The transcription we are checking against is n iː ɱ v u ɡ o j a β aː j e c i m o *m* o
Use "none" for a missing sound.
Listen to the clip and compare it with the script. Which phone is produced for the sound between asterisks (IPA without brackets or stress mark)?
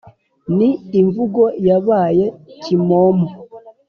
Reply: m